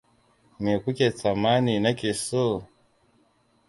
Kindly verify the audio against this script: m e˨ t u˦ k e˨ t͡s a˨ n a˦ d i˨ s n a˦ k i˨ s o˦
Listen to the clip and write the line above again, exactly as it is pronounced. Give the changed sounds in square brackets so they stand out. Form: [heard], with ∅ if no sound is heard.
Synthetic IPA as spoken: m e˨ [k] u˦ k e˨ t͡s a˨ [m] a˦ [n] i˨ [∅] n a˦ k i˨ s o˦